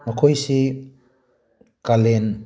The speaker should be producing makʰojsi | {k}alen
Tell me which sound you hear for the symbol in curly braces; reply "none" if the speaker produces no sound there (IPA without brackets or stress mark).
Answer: k